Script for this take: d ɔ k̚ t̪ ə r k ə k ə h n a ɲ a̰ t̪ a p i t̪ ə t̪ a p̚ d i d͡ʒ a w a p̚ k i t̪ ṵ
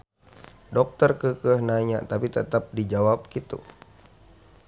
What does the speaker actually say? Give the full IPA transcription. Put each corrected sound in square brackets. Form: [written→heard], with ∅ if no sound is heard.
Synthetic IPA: d ɔ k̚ t̪ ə r k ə k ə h n a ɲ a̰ t̪ a p i t̪ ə t̪ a p̚ d i d͡ʒ a w a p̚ k i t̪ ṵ